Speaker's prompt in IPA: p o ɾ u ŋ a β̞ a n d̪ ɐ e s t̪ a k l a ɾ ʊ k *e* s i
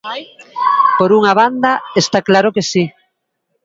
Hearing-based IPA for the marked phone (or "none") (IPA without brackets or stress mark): e